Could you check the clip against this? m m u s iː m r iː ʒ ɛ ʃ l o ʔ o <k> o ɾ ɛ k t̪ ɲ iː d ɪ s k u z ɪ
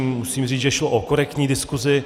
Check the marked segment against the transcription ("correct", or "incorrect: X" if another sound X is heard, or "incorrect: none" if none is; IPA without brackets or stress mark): correct